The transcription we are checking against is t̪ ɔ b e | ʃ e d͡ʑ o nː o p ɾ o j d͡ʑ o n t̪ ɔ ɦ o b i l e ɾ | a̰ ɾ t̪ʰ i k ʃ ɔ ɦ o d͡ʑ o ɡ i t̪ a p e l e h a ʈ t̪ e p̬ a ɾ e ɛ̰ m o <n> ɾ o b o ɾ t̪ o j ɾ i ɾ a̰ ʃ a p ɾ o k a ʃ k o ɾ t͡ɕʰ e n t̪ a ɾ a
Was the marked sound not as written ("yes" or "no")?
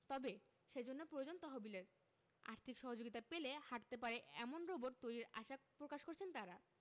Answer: no